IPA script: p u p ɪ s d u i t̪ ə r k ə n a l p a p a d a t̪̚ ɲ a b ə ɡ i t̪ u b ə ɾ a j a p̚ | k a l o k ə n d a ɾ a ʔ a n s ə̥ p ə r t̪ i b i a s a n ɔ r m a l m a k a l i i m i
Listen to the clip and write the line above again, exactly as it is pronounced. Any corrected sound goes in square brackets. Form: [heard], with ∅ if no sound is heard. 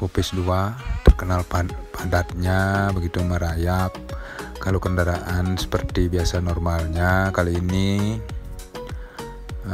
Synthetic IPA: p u p ɪ s d u [a] t̪ ə r k ə n a l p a p a d a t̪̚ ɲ a b ə ɡ i t̪ u [m] ə ɾ a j a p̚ | k a l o k ə n d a ɾ a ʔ a n s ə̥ p ə r t̪ i b i a s a n ɔ r m a l [ɲ] a k a l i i [n] i